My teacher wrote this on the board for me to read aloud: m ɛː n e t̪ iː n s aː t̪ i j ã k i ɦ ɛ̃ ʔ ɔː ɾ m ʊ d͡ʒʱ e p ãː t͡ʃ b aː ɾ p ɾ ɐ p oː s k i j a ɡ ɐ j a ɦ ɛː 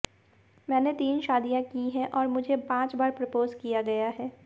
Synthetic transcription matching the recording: m ɛː n e t̪ iː n ʃ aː d̪ i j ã k i ɦ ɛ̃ ʔ ɔː ɾ m ʊ d͡ʒʱ e p ãː t͡ʃ b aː ɾ p ɾ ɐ p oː z k i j a ɡ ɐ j a ɦ ɛː